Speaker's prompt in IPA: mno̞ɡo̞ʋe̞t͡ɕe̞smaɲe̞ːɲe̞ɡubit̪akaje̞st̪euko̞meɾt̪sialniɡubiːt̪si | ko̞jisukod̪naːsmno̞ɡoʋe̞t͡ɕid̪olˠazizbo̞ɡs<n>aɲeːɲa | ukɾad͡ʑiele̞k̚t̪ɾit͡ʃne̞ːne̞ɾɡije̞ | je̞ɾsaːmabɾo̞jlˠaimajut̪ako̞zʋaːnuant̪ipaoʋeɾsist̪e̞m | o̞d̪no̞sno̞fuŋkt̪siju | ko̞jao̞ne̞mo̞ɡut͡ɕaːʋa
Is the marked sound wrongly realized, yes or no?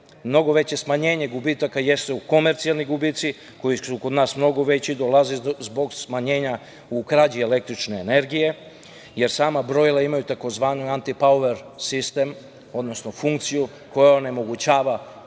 yes